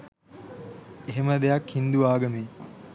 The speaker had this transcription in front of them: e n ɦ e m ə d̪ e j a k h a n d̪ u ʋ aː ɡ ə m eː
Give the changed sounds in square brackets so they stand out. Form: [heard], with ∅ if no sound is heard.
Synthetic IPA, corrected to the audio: e [∅] ɦ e m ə d̪ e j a k h [i] n d̪ u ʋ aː ɡ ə m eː